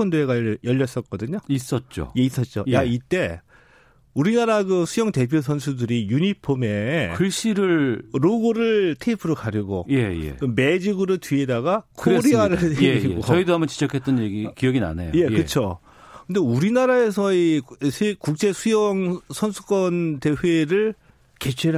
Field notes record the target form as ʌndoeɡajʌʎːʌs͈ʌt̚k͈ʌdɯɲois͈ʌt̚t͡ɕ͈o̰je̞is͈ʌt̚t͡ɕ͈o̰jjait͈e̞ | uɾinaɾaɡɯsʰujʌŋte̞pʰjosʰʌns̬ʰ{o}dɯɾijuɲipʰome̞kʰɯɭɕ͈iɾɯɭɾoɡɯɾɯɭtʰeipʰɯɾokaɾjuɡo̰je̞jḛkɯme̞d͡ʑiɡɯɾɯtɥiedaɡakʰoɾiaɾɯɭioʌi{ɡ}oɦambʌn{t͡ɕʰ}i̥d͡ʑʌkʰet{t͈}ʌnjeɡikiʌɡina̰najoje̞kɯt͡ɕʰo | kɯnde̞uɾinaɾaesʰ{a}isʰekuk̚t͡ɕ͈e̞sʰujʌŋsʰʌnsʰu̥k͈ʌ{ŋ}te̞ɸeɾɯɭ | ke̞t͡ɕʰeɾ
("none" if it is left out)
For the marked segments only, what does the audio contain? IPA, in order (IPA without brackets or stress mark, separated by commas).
u, d, t͡ɕ, t͈, ʌ, n